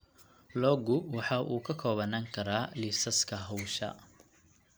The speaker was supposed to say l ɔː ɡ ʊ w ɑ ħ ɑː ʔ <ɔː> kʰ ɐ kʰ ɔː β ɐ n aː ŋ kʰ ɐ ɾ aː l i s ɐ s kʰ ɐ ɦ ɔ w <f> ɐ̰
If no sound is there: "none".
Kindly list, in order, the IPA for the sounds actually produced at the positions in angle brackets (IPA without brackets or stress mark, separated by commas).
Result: uː, ʃ